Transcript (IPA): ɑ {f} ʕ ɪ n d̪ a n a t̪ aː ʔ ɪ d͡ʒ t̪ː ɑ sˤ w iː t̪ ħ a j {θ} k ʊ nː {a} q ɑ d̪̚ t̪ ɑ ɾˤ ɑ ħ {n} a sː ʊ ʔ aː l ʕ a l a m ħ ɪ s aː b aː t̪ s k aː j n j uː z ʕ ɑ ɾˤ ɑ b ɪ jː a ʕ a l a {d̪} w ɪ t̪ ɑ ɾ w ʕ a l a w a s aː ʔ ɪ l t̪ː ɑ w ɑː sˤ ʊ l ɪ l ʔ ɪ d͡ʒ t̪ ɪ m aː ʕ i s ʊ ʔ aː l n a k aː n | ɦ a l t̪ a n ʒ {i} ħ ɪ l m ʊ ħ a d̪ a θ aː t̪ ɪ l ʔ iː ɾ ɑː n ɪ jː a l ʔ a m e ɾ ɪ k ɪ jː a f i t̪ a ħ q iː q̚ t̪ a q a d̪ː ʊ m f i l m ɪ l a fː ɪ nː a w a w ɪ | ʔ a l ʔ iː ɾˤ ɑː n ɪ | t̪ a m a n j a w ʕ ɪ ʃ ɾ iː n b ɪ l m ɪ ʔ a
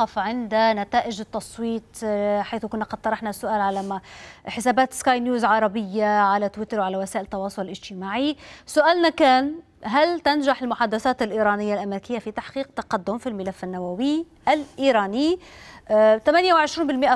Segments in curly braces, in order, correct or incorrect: correct, correct, correct, correct, incorrect: t̪, incorrect: a

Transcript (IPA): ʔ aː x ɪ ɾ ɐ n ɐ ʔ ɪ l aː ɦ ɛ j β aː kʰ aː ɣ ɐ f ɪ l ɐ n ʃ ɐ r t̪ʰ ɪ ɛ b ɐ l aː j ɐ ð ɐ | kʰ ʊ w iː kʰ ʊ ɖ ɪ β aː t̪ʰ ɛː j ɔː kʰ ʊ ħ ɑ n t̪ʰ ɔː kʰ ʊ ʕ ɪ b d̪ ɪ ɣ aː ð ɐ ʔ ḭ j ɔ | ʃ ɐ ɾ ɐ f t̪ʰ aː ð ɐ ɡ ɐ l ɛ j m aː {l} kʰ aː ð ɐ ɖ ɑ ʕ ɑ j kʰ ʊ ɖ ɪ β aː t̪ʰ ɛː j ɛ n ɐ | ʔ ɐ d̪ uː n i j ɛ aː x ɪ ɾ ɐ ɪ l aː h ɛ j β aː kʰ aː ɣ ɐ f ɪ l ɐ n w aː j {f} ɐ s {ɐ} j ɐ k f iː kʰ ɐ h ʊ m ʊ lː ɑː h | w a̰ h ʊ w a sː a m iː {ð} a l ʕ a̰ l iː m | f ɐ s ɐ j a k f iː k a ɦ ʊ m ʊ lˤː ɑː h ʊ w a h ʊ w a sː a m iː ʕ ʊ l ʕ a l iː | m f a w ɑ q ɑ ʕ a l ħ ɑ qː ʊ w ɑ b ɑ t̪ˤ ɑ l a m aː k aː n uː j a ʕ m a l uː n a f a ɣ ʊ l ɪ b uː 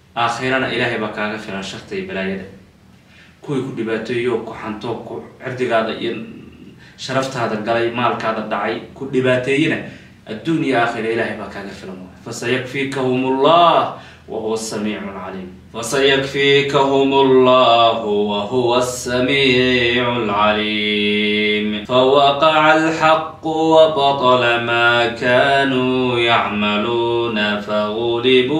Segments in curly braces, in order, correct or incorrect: correct, correct, correct, incorrect: ʕ

